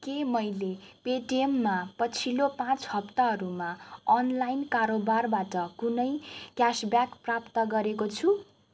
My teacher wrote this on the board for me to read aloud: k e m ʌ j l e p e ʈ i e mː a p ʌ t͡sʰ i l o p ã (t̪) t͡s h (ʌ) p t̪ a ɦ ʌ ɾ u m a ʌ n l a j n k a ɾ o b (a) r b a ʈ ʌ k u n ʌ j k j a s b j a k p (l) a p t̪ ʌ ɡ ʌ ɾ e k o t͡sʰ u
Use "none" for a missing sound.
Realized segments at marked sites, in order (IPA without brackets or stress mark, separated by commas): none, ʌ, a, r